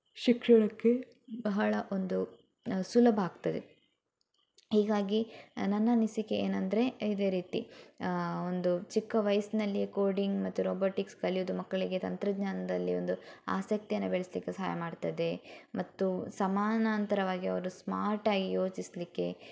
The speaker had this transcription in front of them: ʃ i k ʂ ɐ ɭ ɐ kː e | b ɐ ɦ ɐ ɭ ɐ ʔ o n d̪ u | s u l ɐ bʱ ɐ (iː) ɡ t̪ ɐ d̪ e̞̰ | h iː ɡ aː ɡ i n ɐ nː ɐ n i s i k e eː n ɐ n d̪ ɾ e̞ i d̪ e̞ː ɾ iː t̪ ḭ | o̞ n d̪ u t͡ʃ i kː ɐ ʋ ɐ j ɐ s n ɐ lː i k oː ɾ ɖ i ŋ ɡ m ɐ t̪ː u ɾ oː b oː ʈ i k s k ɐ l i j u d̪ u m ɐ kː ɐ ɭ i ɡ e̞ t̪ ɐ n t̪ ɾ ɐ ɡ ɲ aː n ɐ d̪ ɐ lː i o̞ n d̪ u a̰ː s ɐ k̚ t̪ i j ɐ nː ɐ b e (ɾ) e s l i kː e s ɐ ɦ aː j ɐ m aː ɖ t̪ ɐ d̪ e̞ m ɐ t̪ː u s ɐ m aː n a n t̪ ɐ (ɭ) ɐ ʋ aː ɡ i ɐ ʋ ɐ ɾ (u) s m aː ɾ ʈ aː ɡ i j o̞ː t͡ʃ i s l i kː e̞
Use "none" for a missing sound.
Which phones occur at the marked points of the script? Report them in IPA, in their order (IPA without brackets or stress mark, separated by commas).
aː, ɭ, ɾ, u